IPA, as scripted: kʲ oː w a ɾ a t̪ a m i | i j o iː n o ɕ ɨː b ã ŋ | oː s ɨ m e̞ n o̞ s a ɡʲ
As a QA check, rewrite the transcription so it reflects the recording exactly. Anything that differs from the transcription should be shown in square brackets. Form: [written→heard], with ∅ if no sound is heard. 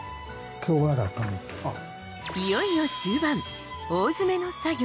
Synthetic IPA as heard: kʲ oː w a ɾ a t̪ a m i | i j o [iː→i] n o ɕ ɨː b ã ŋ | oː [s→z] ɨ m e̞ n o̞ s a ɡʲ